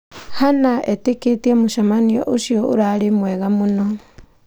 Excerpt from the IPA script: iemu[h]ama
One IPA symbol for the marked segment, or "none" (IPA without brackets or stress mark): ʃ